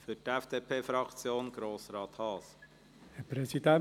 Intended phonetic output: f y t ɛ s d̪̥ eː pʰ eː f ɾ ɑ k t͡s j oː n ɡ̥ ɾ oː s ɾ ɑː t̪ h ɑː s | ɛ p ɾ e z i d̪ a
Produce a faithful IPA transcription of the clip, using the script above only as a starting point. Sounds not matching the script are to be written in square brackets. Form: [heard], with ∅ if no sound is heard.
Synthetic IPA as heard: f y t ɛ [f] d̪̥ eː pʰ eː f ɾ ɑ k t͡s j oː n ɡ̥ ɾ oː s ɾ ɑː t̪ h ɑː s | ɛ p ɾ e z i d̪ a